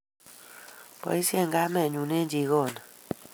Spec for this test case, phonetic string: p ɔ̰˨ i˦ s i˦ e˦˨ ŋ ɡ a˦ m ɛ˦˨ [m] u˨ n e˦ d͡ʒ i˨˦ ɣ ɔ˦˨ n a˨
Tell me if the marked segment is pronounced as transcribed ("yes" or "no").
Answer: no